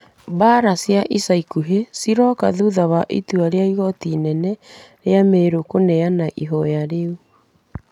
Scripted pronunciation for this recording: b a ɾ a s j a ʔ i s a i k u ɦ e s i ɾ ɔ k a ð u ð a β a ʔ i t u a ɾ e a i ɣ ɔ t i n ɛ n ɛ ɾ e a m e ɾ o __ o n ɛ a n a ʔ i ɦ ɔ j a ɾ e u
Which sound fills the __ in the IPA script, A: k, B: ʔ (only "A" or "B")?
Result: A